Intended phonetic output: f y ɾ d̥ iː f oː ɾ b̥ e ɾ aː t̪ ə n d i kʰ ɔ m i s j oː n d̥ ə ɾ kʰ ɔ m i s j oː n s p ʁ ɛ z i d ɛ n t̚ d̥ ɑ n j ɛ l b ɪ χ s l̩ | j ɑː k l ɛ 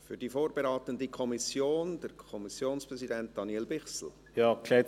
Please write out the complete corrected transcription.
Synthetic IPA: f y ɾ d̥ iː f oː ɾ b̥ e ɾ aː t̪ ə n d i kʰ ɔ m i s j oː n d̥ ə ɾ kʰ ɔ m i s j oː n s p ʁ ɛ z i d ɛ n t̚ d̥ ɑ n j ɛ l b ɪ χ s l̩ | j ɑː k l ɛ